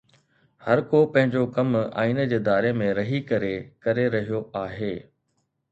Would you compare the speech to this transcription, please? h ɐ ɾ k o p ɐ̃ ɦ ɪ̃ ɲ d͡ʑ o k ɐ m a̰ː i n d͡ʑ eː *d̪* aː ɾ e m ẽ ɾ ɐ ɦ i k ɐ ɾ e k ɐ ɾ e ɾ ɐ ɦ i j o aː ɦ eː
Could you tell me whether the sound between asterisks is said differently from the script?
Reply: no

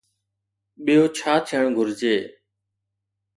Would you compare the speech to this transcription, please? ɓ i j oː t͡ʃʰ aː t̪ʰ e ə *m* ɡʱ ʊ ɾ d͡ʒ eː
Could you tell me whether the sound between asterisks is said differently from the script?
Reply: yes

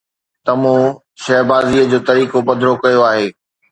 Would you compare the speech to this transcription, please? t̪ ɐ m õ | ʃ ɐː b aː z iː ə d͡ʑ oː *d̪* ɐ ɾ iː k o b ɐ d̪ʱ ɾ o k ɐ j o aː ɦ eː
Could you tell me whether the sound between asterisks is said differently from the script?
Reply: yes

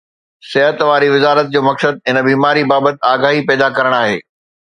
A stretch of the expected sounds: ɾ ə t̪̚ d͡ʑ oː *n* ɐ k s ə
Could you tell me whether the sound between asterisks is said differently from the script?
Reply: yes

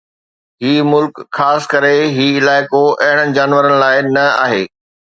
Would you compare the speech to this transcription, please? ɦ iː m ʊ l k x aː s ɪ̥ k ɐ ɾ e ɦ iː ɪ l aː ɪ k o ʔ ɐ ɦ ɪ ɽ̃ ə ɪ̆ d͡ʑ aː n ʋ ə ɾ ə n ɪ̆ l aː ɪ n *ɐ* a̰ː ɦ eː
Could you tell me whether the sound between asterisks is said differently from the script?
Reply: no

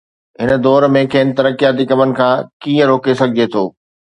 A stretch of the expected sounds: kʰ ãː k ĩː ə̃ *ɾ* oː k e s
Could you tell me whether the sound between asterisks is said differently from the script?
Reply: no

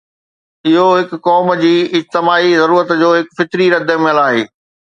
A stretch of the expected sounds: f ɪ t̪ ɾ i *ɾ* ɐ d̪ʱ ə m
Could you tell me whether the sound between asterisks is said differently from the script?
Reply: no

